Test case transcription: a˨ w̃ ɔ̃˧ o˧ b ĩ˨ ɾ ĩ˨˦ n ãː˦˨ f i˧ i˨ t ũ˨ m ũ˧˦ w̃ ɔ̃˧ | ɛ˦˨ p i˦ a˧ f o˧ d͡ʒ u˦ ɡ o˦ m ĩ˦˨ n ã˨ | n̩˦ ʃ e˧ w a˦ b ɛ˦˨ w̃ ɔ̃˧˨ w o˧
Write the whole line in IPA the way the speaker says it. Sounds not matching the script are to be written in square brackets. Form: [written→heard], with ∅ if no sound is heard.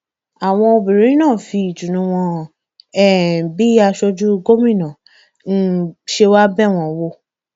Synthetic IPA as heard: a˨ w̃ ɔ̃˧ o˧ b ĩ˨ ɾ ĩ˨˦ n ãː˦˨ f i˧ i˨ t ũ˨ [m→n] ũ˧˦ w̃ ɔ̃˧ | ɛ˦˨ [p→b] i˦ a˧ [f→ʃ] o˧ d͡ʒ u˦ ɡ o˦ m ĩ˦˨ n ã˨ | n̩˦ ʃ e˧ w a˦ b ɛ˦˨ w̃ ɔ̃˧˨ w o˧

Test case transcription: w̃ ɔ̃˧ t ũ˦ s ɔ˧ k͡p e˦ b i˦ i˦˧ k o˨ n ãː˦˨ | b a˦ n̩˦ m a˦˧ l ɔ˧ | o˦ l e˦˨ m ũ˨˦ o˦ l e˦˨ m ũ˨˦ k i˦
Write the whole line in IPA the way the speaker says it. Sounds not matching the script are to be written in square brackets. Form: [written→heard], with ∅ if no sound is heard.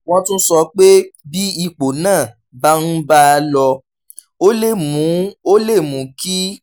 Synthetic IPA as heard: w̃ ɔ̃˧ t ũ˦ s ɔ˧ k͡p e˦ b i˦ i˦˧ [k→k͡p] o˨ n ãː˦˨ | b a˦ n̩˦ [m→b] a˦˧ l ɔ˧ | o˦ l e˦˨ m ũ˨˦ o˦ l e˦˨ m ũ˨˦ k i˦

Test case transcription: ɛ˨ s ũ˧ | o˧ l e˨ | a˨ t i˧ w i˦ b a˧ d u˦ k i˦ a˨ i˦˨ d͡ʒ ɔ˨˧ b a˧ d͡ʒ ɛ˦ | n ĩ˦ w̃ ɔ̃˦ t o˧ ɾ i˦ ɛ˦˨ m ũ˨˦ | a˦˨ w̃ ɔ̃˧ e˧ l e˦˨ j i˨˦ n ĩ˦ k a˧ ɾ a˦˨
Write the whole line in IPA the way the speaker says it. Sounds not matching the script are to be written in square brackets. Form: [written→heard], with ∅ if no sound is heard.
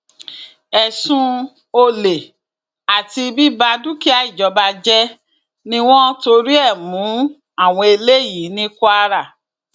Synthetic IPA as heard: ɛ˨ s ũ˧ | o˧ l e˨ | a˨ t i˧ [w→b] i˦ b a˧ d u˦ k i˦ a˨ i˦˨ d͡ʒ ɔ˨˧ b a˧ d͡ʒ ɛ˦ | n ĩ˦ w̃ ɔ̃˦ t o˧ ɾ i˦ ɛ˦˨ m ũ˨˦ | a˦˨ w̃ ɔ̃˧ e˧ l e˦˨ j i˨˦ n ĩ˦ k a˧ ɾ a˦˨

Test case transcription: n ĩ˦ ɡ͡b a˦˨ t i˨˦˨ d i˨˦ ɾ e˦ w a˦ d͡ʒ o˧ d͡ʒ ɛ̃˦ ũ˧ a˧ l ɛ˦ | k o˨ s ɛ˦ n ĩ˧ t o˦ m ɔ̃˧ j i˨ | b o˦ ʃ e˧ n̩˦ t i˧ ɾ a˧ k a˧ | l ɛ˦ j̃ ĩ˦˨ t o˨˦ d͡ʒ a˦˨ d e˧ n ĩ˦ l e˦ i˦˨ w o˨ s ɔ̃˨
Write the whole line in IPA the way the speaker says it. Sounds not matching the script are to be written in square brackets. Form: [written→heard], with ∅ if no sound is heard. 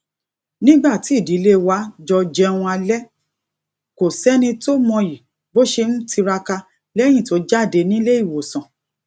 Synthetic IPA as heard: n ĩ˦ ɡ͡b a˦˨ t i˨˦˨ d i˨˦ [ɾ→l] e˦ w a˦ d͡ʒ [o˧→ɔ˧] d͡ʒ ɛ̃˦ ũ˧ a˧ l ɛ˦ | k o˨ s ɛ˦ n ĩ˧ t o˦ m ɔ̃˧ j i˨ | b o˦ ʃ e˧ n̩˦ t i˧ ɾ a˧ k a˧ | l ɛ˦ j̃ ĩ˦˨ t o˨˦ d͡ʒ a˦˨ d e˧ n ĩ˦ l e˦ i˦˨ w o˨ s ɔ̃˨

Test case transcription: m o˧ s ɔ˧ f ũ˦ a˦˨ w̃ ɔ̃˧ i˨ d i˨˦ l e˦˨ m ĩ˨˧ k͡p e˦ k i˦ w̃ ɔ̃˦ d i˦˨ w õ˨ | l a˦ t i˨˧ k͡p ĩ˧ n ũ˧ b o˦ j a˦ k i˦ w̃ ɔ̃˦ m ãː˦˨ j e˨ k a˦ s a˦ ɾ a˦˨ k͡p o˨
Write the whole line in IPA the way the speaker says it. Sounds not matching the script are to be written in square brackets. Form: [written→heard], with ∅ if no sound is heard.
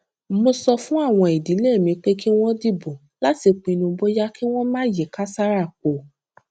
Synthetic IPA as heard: m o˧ s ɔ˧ f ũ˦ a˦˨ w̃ ɔ̃˧ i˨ d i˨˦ l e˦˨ m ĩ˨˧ k͡p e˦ k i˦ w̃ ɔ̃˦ d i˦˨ [w→b] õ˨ | l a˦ t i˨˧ k͡p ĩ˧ n ũ˧ b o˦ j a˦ k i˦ w̃ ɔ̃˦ m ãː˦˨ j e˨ k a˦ s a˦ ɾ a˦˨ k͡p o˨

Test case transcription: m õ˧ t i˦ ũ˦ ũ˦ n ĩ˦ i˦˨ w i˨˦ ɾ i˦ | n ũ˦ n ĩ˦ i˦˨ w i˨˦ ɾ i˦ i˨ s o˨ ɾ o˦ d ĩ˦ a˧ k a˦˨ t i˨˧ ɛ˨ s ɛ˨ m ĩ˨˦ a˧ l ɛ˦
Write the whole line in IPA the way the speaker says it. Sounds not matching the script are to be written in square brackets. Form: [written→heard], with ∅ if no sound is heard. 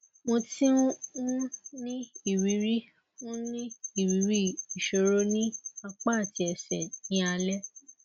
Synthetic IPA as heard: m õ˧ t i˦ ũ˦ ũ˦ n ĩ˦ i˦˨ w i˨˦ ɾ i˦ | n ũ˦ n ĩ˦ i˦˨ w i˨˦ ɾ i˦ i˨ [s→ʃ] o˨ ɾ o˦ [d→n] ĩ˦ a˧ [k→k͡p] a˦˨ t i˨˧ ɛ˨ s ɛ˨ [m→n] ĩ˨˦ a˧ l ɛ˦

